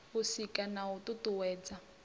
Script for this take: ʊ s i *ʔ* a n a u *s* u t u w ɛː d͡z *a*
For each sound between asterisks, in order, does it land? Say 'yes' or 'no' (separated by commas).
no, no, yes